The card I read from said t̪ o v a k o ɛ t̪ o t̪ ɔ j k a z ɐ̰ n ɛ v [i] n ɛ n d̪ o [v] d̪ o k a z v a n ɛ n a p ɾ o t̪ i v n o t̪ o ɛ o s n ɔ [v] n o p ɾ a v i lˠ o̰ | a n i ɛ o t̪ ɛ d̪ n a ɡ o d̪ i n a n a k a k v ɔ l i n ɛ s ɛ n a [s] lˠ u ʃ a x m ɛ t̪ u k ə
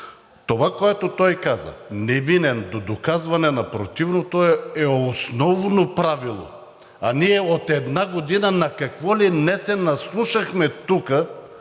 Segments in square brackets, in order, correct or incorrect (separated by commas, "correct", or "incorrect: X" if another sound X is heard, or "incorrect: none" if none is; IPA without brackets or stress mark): correct, incorrect: none, correct, correct